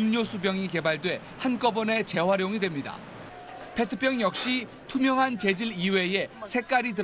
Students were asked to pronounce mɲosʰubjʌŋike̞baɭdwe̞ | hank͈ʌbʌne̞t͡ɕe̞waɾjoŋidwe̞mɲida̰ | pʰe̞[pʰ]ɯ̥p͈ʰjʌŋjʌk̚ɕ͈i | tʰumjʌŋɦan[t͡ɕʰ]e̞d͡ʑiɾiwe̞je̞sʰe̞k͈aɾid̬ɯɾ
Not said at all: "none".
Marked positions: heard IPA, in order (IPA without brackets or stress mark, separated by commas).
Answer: tʰ, t͡ɕ